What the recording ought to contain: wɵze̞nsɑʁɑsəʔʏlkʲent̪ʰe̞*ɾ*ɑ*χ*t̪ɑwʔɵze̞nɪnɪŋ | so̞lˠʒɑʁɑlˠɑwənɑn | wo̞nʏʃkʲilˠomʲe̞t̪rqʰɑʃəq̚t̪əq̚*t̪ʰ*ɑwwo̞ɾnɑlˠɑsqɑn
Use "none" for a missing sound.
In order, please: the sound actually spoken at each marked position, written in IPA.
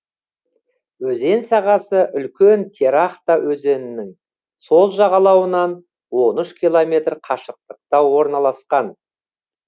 ɾ, χ, t̪

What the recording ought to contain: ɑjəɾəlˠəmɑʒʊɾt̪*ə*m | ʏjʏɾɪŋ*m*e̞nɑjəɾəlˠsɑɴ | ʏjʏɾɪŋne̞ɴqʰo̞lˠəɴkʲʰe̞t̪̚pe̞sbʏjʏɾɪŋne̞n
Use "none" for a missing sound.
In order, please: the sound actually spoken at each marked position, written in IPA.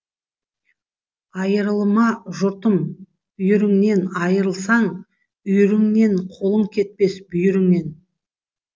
ə, n

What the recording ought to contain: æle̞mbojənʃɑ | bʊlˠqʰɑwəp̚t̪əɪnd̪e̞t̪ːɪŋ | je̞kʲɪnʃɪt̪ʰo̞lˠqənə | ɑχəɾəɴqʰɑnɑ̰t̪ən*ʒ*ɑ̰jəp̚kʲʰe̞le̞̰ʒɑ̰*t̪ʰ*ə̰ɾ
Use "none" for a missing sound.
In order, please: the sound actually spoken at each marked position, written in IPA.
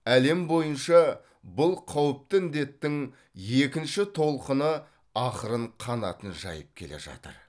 ʒ, t̪

